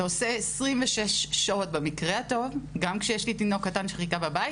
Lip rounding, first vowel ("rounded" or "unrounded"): rounded